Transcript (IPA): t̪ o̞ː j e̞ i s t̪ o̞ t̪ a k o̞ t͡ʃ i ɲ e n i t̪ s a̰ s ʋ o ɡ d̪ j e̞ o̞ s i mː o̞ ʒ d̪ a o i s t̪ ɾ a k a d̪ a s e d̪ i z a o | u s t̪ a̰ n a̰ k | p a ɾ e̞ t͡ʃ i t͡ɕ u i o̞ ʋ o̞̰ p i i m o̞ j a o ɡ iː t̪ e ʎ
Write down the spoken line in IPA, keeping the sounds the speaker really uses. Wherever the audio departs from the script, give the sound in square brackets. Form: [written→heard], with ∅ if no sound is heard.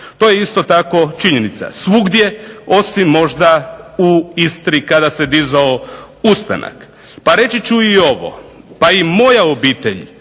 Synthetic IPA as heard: t̪ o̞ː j e̞ i s t̪ o̞ t̪ a k o̞ t͡ʃ i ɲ e n i t̪ s a̰ s ʋ [o→u] ɡ d̪ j e̞ o̞ s i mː o̞ ʒ d̪ a [o→u] i s t̪ ɾ [a→i] k a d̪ a s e d̪ i z a o | u s t̪ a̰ n a̰ k | p a ɾ e̞ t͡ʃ i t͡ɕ u i o̞ ʋ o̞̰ p [i→a] i m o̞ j a o [ɡ→b] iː t̪ e ʎ